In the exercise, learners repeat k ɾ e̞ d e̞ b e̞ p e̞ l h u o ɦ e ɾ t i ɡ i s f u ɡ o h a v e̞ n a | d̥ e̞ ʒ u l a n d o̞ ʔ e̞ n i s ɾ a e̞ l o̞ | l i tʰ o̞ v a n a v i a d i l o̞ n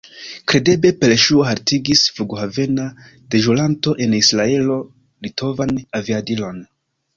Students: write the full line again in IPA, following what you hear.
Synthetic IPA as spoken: k ɾ e̞ d e̞ b e̞ p e̞ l ʃ u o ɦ a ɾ t i ɡ i s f u ɡ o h a v e̞ n a | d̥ e̞ ʒ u l a n t o̞ ʔ e̞ n i s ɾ a e̞ l o̞ | l i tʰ o̞ v a n a v i a d i l o̞ n